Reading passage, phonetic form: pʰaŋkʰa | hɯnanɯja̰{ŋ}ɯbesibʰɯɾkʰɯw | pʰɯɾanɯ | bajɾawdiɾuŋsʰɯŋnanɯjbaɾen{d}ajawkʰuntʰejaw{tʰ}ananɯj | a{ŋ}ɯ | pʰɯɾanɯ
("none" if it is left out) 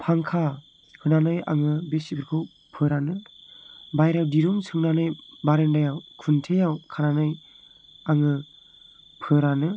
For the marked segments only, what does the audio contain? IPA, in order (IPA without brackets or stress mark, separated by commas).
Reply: ŋ, d, kʰ, ŋ